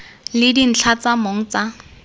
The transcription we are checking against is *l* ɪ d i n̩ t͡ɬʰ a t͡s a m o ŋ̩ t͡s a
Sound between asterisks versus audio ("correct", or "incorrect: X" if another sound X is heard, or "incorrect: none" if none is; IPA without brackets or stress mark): correct